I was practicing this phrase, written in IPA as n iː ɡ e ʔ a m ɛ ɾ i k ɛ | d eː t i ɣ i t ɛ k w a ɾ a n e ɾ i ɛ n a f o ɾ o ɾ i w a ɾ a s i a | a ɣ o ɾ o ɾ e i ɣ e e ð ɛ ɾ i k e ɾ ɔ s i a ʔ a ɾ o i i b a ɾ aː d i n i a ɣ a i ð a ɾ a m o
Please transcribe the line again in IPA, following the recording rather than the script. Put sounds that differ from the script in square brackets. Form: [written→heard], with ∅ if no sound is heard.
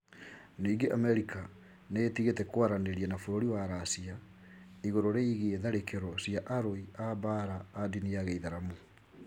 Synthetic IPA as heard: n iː ɡ e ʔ a m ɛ ɾ i k [ɛ→a] | [d→n] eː t i ɣ [i→e] t ɛ k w a ɾ a n e ɾ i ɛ n a f o ɾ o ɾ i w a ɾ a s i a | [a→i] ɣ o ɾ o ɾ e i ɣ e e ð [ɛ→a] ɾ [i→e] k e ɾ ɔ s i a ʔ a ɾ o i [i→a] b a ɾ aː d i n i a ɣ [a→e] i ð a ɾ a m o